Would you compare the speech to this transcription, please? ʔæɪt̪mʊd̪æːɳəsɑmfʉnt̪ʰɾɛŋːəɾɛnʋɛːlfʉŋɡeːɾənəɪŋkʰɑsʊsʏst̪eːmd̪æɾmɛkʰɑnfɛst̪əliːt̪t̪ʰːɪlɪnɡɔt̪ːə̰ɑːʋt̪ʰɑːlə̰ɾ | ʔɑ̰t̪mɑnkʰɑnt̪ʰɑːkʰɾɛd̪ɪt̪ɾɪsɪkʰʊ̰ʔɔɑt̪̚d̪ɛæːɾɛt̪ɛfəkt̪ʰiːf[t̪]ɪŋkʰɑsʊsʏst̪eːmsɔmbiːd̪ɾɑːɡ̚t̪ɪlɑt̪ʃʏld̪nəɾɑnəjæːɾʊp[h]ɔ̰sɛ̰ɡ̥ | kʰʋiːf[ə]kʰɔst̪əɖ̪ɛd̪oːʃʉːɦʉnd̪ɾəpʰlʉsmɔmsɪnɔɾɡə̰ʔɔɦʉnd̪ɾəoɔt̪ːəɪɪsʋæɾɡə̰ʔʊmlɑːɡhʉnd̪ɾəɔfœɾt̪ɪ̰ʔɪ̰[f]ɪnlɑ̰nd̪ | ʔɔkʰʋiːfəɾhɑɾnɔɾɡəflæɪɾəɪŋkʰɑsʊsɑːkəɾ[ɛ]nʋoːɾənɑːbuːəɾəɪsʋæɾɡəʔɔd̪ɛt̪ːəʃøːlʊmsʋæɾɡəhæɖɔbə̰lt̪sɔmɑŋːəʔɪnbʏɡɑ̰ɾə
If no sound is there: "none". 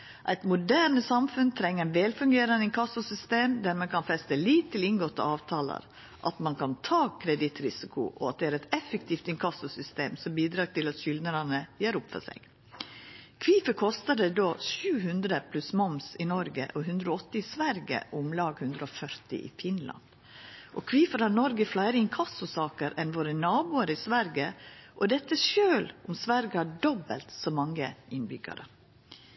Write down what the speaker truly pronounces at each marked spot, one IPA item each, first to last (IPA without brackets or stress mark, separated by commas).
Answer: t̪, f, ə, f, ɛ